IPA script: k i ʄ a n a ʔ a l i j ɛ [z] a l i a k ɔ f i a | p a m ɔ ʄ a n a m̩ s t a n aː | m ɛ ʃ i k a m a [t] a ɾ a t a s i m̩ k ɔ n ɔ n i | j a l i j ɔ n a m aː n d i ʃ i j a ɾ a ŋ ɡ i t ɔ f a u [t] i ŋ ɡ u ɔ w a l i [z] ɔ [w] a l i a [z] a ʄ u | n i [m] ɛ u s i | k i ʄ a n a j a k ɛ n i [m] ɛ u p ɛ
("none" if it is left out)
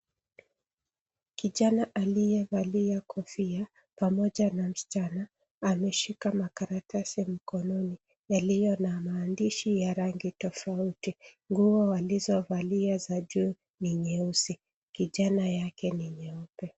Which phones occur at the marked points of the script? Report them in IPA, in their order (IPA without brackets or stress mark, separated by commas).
v, k, t, z, v, z, ɲ, ɲ